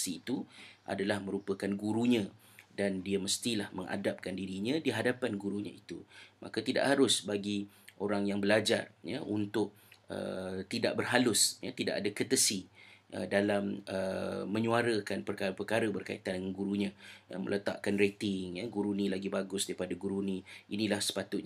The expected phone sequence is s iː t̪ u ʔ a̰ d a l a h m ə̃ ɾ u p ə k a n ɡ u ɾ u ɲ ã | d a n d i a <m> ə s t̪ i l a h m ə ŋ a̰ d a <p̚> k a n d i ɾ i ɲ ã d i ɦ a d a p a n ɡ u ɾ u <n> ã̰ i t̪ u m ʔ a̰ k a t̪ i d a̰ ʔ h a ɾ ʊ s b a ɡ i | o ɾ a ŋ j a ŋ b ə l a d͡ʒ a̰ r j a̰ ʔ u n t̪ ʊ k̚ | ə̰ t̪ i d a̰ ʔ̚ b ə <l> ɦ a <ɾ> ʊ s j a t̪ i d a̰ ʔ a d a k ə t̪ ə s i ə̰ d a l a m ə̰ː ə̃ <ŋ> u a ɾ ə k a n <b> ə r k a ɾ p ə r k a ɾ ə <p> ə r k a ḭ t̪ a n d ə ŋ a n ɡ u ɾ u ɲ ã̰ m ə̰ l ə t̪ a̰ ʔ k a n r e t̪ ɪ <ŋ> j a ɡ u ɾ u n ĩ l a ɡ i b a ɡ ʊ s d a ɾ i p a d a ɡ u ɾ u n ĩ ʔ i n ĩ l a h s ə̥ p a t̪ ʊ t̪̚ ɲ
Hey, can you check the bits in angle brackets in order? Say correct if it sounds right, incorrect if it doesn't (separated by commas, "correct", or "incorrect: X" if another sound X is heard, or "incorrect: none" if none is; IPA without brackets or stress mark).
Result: correct, correct, incorrect: ɲ, incorrect: r, incorrect: l, incorrect: ɲ, incorrect: p, incorrect: b, correct